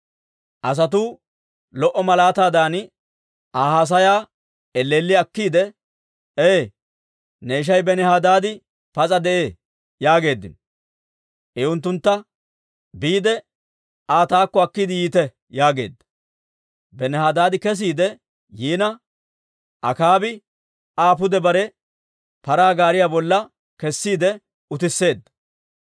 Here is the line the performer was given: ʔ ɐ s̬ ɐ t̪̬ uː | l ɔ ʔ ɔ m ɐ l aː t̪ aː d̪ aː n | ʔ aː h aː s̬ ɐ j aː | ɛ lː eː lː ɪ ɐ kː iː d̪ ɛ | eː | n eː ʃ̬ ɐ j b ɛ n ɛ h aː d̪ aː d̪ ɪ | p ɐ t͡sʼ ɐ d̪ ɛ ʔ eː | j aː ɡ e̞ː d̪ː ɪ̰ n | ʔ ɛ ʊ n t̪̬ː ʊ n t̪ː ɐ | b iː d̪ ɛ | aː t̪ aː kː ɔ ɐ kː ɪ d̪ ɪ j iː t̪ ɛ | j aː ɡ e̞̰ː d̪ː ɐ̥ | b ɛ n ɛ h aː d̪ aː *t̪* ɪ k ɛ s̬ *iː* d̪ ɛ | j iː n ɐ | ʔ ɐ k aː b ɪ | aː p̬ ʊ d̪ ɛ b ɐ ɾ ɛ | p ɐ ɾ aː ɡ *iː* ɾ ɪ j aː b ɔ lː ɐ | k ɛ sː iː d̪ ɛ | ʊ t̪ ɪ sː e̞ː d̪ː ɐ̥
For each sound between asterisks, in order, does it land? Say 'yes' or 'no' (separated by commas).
no, yes, no